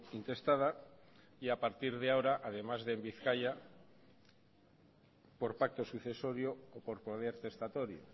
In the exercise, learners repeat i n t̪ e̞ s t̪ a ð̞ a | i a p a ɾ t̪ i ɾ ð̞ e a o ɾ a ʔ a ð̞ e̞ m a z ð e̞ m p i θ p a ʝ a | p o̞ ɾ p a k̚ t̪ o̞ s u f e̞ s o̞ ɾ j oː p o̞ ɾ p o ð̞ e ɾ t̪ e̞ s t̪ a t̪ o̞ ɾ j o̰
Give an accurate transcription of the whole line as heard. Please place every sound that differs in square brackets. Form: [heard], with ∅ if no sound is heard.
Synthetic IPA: i n t̪ e̞ s t̪ a ð̞ a | i a p a ɾ t̪ i ɾ ð̞ e a o ɾ a ʔ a ð̞ e̞ m a z ð e̞ m [b] i θ [k] a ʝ a | p o̞ ɾ p a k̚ t̪ o̞ s u [θ] e̞ s o̞ ɾ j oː p o̞ ɾ p o ð̞ e ɾ t̪ e̞ s t̪ a t̪ o̞ ɾ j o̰